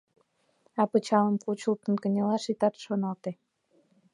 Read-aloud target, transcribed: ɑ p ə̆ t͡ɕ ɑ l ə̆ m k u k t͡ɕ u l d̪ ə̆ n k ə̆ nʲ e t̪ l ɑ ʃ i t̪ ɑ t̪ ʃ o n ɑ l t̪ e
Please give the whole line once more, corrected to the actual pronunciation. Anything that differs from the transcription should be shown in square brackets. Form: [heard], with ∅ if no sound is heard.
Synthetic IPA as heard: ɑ p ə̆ t͡ɕ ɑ l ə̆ m k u [∅] t͡ɕ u l [t̪] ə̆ n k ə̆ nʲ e [∅] l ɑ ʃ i t̪ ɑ t̪ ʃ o n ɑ l t̪ e